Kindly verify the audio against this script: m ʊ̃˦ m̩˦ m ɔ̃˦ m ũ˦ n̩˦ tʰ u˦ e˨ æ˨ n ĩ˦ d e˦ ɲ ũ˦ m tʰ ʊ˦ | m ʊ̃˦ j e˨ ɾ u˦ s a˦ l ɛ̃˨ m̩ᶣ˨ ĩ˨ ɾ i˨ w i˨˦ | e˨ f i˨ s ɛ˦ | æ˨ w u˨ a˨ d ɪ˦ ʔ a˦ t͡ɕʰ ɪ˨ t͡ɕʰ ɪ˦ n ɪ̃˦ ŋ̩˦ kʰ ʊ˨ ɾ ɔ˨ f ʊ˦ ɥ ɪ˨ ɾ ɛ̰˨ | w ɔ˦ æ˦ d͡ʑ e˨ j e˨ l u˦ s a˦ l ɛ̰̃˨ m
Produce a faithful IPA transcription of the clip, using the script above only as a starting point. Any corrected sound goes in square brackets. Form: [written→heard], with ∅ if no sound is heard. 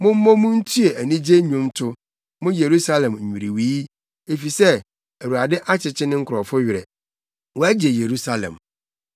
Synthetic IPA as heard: m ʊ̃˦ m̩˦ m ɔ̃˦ m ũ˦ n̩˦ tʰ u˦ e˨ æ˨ n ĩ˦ [d→d͡ʑ] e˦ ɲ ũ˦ m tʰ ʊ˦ | m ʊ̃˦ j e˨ ɾ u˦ s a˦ l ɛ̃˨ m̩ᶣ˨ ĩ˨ ɾ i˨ w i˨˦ | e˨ f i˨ s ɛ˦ | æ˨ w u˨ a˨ d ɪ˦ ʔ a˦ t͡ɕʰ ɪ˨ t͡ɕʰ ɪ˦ n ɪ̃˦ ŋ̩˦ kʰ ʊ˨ ɾ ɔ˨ f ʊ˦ ɥ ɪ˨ ɾ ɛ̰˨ | w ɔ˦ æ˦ d͡ʑ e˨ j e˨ [l→ɾ] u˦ s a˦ l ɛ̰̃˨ m